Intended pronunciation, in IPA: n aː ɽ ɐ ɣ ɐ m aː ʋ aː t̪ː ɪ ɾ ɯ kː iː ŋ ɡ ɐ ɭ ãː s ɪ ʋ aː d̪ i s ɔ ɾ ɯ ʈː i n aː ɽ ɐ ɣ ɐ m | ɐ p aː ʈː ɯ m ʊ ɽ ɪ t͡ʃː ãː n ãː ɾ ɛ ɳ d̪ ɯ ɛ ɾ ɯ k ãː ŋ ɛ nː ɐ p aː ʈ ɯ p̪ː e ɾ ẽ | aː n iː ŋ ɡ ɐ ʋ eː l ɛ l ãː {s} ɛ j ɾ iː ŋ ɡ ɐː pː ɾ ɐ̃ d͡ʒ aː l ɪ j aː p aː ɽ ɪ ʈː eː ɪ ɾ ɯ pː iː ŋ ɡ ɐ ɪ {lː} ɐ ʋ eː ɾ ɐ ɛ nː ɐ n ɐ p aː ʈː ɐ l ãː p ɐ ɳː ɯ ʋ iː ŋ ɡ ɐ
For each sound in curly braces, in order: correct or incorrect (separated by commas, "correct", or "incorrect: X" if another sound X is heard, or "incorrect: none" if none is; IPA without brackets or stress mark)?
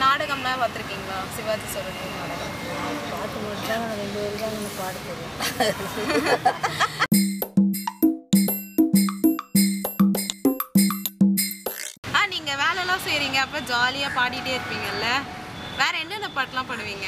correct, correct